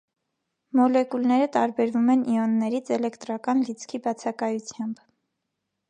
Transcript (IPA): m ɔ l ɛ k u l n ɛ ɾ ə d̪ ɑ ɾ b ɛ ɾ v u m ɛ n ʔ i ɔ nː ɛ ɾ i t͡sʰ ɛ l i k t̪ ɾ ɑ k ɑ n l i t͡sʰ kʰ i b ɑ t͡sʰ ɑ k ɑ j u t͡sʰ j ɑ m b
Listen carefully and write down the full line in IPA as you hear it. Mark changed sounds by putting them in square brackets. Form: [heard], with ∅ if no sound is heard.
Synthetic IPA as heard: m ɔ l ɛ k u l n ɛ ɾ ə [t̪] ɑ ɾ b ɛ ɾ v u m ɛ n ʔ i ɔ nː ɛ ɾ i t͡sʰ ɛ l [ɛ] k t̪ ɾ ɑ k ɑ n l i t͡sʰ kʰ i b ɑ t͡sʰ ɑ k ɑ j u t͡sʰ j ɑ m b